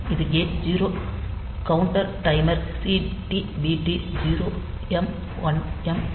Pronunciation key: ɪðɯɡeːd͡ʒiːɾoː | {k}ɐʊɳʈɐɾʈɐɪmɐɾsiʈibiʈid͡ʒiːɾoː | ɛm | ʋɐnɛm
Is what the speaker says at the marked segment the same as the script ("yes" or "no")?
yes